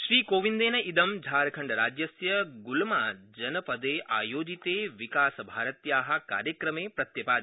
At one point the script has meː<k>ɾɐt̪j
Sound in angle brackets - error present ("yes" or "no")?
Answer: yes